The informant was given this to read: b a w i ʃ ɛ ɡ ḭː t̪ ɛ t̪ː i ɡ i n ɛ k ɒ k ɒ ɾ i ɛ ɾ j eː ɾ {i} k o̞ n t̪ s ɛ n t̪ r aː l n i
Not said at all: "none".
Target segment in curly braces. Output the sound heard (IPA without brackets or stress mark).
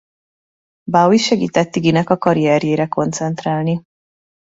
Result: ɛ